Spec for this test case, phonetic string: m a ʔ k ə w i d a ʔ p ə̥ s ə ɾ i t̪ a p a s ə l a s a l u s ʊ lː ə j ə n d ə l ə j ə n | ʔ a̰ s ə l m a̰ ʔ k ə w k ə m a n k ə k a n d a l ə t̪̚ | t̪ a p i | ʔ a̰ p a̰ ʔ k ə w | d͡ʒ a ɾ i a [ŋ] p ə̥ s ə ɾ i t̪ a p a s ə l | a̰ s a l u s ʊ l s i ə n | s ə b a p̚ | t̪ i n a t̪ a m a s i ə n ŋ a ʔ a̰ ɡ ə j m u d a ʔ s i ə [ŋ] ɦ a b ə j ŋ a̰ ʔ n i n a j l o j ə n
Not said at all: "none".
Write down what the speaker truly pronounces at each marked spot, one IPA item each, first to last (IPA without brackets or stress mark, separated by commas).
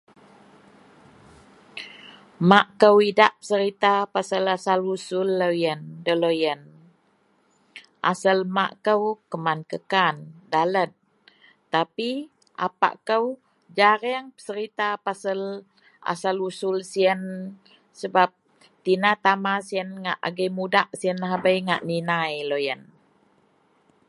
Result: ŋ, n